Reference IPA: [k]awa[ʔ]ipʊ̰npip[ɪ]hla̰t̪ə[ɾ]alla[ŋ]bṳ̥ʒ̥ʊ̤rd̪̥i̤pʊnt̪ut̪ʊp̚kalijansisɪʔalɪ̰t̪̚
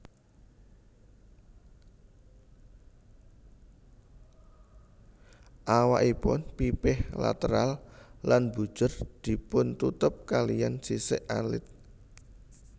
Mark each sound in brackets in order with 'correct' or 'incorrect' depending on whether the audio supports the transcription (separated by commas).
incorrect, correct, correct, correct, incorrect